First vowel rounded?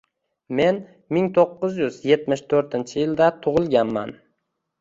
no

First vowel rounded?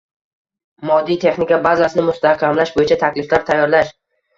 yes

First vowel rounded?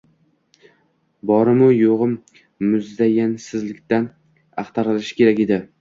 yes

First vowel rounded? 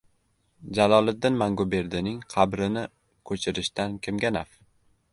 no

